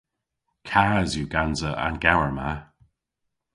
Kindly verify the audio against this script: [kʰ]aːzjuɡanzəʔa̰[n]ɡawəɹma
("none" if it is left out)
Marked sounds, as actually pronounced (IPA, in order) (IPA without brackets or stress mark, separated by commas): kʰ, n